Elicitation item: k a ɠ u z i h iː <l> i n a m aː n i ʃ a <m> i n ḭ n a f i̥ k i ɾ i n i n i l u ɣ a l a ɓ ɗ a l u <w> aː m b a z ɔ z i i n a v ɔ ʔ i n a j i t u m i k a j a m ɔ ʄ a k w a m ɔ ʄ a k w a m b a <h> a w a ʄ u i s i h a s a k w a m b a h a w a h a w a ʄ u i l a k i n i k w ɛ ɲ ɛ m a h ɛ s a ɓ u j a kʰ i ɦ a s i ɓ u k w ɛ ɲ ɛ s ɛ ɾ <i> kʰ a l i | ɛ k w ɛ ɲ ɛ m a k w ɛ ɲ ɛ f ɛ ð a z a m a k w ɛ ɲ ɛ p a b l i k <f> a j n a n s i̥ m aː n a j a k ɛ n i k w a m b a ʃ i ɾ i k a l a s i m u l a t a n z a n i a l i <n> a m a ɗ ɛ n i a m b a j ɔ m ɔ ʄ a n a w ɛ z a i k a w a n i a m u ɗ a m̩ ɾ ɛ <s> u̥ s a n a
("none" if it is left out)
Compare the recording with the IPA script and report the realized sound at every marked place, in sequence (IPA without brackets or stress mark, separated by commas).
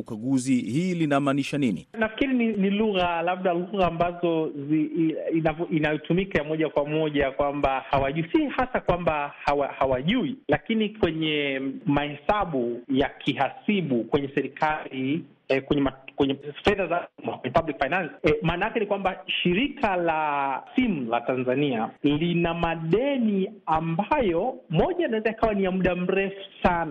l, n, ɣ, h, i, f, n, f